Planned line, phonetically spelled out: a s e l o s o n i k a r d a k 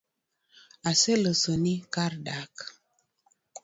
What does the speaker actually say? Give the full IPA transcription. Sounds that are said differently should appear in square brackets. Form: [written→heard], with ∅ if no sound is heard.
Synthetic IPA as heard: a s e l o s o n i k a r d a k